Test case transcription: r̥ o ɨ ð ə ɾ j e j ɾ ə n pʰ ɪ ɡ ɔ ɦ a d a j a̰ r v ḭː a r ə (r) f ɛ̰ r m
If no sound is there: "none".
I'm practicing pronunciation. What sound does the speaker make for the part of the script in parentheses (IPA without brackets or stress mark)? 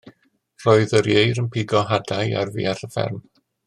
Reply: none